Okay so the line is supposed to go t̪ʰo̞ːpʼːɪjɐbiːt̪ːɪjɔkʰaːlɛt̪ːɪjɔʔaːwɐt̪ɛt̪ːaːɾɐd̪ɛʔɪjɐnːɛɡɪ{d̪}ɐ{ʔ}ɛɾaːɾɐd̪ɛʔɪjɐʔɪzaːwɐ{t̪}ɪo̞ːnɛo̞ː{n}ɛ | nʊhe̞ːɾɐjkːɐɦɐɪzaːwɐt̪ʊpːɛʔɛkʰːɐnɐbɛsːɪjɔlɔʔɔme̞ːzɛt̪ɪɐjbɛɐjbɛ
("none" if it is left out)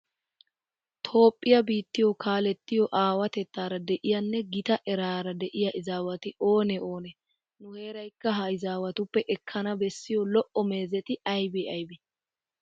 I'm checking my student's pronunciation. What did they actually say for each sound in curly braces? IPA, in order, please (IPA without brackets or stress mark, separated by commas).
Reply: t̪, ʔ, t̪, n